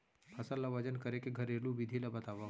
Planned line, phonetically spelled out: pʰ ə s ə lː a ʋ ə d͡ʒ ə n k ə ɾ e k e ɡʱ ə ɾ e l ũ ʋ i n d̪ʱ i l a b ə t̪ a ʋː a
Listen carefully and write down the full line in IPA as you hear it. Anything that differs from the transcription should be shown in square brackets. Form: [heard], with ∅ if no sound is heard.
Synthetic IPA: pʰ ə s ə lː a ʋ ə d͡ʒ ə n k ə ɾ e k e ɡʱ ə ɾ e l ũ ʋ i [∅] d̪ʱ i l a b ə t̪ a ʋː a